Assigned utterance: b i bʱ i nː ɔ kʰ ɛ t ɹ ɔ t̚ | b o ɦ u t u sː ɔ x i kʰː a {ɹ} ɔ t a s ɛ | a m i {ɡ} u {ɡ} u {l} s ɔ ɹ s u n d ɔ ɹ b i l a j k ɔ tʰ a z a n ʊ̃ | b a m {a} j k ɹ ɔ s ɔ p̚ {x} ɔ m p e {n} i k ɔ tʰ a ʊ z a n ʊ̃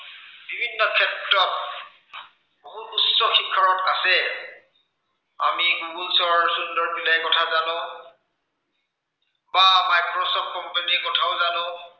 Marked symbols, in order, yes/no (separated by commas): yes, yes, yes, yes, yes, no, yes